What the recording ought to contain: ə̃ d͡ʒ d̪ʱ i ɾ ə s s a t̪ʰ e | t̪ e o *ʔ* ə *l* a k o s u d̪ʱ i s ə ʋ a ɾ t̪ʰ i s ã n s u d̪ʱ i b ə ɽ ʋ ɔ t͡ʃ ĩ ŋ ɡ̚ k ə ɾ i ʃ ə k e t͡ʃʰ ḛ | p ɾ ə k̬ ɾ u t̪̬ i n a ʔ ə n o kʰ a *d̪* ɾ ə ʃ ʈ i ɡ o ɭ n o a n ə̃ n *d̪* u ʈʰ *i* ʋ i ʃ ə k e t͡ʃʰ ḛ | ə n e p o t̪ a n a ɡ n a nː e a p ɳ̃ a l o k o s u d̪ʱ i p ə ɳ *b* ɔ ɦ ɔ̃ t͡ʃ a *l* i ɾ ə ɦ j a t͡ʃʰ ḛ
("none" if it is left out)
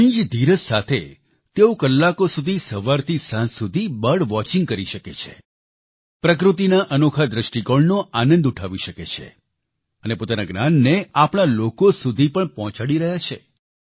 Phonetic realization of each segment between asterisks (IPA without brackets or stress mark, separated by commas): k, lː, d̪, d̪, a, p, ɽ